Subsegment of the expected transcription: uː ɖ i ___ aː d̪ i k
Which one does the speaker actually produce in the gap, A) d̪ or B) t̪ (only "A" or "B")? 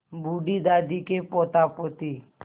A